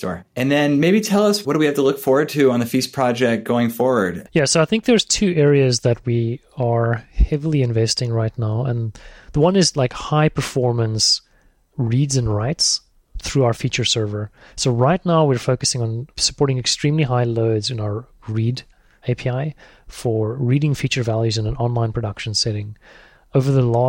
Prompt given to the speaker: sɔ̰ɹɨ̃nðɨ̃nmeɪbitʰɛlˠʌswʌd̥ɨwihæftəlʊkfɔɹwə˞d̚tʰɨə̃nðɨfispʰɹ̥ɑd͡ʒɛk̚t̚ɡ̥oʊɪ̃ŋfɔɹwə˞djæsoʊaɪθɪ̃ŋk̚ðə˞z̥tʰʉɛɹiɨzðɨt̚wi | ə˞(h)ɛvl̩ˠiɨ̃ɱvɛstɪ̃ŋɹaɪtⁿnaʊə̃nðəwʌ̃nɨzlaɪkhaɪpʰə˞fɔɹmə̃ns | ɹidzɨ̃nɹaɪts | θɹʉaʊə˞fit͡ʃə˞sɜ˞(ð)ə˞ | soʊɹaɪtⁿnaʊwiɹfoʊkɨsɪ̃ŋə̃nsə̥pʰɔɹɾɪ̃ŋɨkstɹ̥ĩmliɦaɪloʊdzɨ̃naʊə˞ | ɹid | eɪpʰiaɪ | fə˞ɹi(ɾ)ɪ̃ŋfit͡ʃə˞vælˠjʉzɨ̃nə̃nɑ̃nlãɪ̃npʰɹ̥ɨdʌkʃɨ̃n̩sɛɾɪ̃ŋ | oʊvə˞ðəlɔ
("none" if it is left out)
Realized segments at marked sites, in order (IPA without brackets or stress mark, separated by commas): h, v, ɾ